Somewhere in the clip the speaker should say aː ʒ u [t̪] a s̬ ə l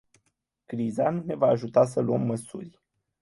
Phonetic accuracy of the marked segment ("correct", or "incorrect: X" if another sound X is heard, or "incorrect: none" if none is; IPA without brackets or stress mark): correct